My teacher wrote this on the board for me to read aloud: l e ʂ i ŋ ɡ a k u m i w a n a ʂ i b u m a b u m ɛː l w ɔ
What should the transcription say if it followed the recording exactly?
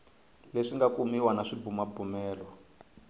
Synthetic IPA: l e ʂ i ŋ ɡ a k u m i w a n a ʂ i b u m a b u m ɛː l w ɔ